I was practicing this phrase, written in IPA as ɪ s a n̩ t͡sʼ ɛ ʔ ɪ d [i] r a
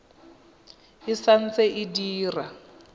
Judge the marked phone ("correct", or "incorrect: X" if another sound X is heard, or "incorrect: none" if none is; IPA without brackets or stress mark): incorrect: iː